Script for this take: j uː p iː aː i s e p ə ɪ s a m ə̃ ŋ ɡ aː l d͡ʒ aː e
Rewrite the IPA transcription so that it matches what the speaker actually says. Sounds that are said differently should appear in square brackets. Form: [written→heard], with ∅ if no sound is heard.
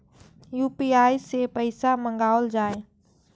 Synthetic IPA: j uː p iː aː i s e p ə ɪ s a m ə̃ ŋ ɡ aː l d͡ʒ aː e